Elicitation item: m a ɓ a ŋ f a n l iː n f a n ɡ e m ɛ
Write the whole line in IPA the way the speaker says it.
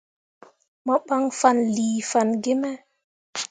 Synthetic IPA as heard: m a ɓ a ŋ f a n l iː f a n ɡ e m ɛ